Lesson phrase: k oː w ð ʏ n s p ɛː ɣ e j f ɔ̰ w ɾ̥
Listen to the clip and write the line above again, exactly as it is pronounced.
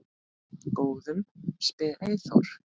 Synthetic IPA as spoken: k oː w ð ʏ m s p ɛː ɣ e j θ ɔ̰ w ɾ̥